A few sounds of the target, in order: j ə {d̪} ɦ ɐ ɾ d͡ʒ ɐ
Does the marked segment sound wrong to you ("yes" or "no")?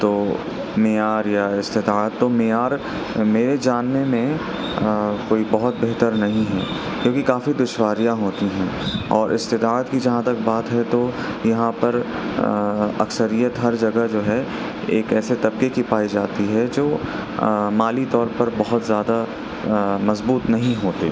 yes